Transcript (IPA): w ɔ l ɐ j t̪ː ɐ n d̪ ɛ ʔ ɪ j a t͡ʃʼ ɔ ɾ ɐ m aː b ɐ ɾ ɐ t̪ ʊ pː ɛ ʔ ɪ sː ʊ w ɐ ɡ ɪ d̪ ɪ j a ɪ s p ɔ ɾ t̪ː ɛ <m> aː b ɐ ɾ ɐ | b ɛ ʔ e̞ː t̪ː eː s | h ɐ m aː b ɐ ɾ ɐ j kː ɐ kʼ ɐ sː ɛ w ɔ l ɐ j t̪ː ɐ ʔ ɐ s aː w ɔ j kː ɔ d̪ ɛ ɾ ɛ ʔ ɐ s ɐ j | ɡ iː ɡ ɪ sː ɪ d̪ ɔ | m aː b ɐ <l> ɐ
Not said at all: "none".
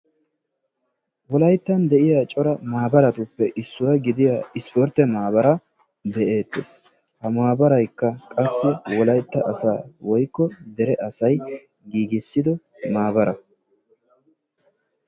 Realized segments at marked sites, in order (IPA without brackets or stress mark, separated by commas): m, ɾ